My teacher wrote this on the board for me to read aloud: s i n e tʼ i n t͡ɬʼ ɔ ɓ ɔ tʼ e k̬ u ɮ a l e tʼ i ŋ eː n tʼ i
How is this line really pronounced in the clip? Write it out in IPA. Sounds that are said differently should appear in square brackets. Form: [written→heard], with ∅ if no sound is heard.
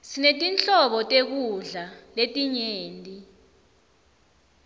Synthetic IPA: s i n e tʼ i n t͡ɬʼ ɔ ɓ ɔ tʼ e k̬ u ɮ a l e tʼ i [ŋ→ɲ] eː n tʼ i